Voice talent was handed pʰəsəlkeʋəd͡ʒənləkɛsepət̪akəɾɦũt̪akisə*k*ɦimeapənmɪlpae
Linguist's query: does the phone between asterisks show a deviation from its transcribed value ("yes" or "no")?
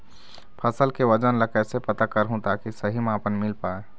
yes